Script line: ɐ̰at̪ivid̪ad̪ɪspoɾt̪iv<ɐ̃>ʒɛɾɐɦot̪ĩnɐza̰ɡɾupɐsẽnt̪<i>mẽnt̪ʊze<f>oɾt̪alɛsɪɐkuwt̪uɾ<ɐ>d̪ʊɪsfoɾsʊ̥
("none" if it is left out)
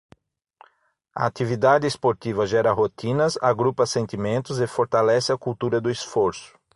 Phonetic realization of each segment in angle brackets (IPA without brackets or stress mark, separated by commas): ɐ, i, f, ɐ